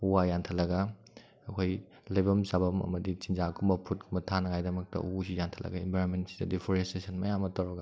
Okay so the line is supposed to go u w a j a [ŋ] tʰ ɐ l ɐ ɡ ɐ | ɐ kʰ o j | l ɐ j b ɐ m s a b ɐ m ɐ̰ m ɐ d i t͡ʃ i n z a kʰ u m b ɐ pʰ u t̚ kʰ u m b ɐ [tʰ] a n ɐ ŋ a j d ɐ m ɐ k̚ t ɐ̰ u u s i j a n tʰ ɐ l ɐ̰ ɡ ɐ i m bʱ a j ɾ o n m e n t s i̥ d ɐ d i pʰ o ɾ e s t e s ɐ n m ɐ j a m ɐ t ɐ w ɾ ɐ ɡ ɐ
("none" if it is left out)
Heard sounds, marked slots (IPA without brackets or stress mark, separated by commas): n, tʰ